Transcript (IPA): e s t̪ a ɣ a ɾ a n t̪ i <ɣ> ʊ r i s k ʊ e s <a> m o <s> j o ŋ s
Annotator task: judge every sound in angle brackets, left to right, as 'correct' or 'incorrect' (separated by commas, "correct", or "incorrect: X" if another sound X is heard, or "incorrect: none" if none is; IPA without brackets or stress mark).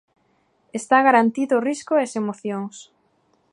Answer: incorrect: ð, incorrect: e, incorrect: θ